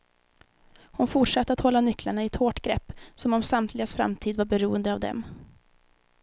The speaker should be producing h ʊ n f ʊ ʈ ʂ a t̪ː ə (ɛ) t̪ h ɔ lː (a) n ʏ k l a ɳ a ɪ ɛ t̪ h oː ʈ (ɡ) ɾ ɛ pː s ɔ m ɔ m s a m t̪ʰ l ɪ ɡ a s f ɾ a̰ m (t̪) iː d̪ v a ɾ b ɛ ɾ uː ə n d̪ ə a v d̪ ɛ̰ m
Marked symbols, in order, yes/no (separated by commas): no, yes, yes, no